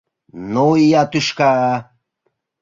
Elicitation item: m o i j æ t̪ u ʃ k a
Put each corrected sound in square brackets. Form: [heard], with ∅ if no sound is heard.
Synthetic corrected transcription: [n] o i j [a] t̪ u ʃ k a